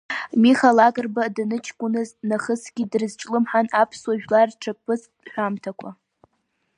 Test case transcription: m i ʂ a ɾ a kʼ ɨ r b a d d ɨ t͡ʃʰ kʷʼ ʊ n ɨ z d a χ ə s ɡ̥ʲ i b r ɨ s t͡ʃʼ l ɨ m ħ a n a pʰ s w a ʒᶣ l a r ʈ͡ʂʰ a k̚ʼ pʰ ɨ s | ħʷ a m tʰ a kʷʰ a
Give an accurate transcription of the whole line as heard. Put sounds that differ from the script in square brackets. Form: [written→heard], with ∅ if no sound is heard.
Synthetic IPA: m i [ʂ→χ] a [ɾ→l] a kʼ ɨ r b a d [d→n] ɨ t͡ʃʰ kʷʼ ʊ n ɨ z [d→n] a χ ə s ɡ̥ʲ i [b→d] r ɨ [s→z] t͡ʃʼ l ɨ m ħ a n a pʰ s w a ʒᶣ l a r ʈ͡ʂʰ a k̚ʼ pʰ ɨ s | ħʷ a m tʰ a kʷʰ a